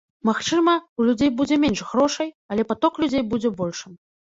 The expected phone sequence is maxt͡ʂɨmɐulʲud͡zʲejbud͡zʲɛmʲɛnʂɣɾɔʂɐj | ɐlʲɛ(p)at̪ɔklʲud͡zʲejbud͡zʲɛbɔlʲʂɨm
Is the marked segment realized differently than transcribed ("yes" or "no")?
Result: no